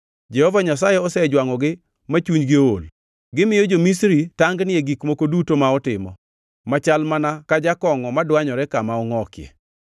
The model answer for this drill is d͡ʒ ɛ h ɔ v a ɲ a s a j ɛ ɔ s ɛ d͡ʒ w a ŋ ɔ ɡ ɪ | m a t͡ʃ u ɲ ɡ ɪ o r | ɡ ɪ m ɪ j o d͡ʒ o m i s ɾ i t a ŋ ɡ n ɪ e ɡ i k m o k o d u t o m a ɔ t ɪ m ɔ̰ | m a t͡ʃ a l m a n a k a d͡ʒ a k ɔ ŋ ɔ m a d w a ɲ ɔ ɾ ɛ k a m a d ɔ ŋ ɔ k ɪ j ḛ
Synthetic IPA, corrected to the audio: d͡ʒ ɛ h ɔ v a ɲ a s a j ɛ ɔ s ɛ d͡ʒ w a ŋ ɔ ɡ ɪ | m a t͡ʃ u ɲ ɡ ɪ o l | ɡ ɪ m ɪ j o d͡ʒ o m i s ɾ i t a ŋ ɡ n ɪ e ɡ i k m o k o d u t o m a ɔ t ɪ m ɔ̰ | m a t͡ʃ a l m a n a k a d͡ʒ a k ɔ ŋ ɔ m a d w a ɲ ɔ ɾ ɛ k a m a ɔ ŋ ɔ k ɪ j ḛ